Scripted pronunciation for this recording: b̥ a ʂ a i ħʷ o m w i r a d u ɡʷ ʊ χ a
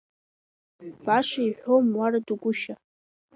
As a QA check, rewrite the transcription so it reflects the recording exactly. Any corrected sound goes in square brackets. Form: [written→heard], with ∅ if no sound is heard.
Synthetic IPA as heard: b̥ a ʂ a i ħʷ o m w [i→a] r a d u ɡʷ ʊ [χ→ʃ] a